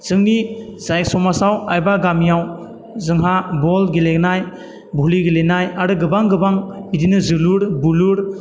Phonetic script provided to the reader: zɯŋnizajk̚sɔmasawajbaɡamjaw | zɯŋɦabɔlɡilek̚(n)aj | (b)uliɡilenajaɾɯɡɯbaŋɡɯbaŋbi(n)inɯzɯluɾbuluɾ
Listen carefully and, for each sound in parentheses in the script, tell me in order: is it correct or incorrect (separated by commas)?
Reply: correct, correct, incorrect